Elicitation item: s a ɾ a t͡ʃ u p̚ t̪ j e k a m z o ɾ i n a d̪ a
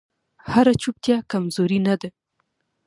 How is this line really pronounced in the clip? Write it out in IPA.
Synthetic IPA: h a ɾ a t͡ʃ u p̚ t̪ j a k a m z o ɾ i n a d̪ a

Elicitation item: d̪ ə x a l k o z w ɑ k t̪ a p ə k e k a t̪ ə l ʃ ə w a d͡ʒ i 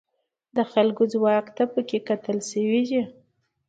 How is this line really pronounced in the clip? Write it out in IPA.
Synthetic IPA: d̪ ə x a l ɡ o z w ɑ k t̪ a p ə k e k a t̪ ə l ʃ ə w i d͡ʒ i

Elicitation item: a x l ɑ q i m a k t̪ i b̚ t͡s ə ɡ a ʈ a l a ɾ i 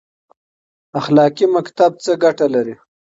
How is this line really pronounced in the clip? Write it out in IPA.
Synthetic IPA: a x l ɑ k i m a k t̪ a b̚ t͡s ə ɡ a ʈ a l a ɾ i

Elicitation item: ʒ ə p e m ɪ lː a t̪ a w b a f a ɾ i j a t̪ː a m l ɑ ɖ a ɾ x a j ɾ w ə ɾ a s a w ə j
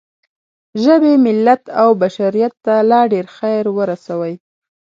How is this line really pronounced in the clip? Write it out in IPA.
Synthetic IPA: ʒ ə b e m ɪ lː a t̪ a w b a ʃ a ɾ i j a t̪ː a l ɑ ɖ e ɾ x a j ɾ w ə ɾ a s a w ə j

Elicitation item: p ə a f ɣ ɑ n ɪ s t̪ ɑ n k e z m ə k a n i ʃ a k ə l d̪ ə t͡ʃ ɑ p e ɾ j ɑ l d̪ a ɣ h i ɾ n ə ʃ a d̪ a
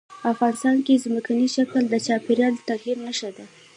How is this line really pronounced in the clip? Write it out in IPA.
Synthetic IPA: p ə a f ɣ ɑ n ɪ s t̪ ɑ n k e z m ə k a n i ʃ a k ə l d̪ ə t͡ʃ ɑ p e ɾ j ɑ l t̪ a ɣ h i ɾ n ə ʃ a d̪ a

